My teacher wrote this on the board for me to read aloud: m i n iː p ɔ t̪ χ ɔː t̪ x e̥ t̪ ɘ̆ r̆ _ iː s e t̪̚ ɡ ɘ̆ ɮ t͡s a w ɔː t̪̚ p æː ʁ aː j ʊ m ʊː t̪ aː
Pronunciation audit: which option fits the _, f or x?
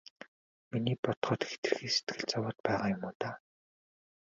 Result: x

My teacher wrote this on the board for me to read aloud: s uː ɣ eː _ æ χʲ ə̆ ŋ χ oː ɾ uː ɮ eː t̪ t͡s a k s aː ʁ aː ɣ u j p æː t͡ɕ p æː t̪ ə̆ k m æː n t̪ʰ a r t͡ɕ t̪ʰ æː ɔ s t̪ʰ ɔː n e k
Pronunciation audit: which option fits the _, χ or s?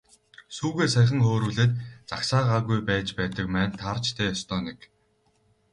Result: s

